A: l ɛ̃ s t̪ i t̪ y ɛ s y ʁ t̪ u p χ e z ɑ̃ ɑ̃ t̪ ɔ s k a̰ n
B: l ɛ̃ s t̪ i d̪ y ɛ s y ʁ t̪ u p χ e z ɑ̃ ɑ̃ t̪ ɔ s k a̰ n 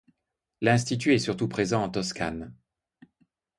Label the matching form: A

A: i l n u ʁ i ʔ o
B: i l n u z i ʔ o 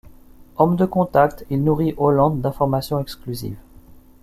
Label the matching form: A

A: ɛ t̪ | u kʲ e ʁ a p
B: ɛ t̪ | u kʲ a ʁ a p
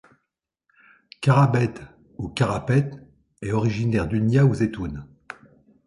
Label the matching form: B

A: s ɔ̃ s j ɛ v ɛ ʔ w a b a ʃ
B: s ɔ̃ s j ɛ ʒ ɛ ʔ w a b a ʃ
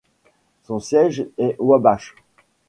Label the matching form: B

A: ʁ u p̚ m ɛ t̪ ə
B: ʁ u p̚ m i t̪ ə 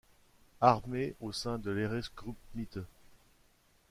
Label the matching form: B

